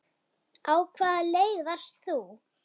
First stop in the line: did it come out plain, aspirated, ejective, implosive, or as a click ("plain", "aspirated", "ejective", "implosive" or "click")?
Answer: aspirated